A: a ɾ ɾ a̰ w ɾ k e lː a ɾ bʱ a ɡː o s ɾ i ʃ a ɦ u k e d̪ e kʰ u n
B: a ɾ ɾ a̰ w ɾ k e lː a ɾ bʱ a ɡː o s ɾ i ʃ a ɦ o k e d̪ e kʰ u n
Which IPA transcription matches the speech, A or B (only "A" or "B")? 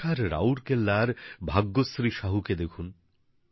A